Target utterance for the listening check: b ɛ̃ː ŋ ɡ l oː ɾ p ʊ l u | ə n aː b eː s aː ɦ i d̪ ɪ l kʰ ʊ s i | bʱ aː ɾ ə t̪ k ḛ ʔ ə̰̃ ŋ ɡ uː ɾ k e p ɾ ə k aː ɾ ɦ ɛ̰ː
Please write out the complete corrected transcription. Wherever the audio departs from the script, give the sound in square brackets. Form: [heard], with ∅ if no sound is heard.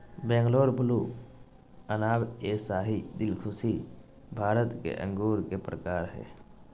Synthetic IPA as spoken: b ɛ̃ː ŋ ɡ l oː ɾ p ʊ l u | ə n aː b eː s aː ɦ i d̪ ɪ l kʰ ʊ s i | bʱ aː ɾ ə t̪ k ḛ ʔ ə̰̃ ŋ ɡ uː ɾ k e p ɾ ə k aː ɾ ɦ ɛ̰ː